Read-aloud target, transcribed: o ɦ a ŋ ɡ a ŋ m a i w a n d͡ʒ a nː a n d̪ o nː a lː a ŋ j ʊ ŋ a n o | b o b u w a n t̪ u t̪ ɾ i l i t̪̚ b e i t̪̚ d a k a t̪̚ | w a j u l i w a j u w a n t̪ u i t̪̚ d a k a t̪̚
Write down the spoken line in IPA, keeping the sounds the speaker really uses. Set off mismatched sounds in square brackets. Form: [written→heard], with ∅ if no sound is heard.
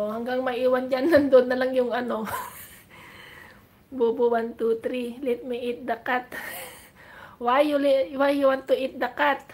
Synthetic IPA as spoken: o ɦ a ŋ ɡ a ŋ m a i w a n d͡ʒ a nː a n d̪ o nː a [lː→l] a ŋ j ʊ ŋ a n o | b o b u w a n t̪ u t̪ ɾ i l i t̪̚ [b→m] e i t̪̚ d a k a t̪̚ | w a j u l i w a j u w a n t̪ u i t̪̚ d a k a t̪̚

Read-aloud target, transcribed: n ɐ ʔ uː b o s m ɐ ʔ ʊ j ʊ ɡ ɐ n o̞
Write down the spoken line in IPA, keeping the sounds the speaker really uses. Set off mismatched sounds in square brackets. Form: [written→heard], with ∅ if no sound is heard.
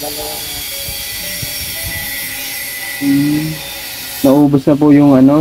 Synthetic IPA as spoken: n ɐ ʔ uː b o s [m→n] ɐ [ʔ→p] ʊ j ʊ [ɡ→ŋ] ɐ n o̞

